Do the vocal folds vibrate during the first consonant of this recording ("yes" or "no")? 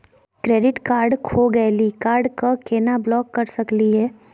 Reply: no